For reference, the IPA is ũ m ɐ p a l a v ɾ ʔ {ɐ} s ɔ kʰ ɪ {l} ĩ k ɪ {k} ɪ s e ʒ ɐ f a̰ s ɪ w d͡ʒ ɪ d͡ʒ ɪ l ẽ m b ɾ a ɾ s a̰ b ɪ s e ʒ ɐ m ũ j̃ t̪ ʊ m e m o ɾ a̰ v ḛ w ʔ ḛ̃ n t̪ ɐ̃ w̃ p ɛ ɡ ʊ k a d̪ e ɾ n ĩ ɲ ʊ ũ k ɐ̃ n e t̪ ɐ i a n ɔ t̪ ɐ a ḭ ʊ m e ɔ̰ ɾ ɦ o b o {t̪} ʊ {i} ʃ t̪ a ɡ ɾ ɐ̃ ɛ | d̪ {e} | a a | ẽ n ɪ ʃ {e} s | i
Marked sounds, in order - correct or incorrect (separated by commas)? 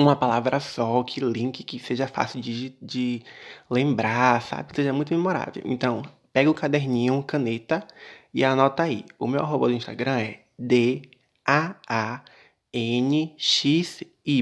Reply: correct, correct, correct, incorrect, incorrect, correct, incorrect